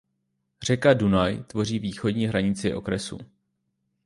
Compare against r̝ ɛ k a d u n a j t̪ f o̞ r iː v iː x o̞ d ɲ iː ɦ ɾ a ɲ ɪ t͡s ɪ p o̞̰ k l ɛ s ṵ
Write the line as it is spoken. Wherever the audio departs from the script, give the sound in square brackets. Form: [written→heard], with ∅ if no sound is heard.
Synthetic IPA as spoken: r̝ ɛ k a d u n a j t̪ [f→v] o̞ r iː v iː x o̞ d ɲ iː ɦ ɾ a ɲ ɪ t͡s ɪ [p→ʔ] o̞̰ k [l→ɾ] ɛ s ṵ

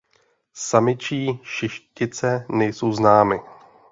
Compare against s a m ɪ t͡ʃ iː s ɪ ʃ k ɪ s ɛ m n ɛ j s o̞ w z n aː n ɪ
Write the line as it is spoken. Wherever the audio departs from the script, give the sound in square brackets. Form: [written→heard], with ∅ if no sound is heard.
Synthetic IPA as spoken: s a m ɪ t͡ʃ iː [s→ʃ] ɪ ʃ [k→c] ɪ [s→t͡s] ɛ [m→∅] n ɛ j s o̞ w z n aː [n→m] ɪ

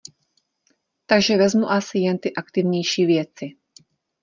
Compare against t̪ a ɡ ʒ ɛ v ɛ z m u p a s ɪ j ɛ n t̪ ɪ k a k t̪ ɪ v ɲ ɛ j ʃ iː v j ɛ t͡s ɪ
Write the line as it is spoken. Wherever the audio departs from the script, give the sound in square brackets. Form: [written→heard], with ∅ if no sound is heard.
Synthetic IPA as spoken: t̪ a ɡ ʒ ɛ v ɛ z m u [p→ʔ] a s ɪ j ɛ n t̪ ɪ [k→ʔ] a k t̪ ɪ v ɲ ɛ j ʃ iː v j ɛ t͡s ɪ

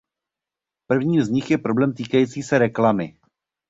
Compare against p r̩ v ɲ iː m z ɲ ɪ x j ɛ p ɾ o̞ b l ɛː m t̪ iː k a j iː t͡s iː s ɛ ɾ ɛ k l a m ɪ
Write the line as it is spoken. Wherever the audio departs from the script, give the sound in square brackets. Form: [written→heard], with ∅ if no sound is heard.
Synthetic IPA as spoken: p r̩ v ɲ iː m z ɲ ɪ x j ɛ p ɾ o̞ b l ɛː m t̪ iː k a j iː t͡s iː s ɛ ɾ ɛ k l a m ɪ

